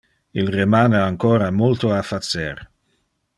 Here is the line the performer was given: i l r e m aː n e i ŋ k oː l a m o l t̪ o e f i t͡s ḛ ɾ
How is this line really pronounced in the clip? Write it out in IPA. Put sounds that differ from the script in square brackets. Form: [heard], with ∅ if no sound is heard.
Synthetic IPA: i l r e m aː n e [a] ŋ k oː [ɾ] a m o l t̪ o [a] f [a] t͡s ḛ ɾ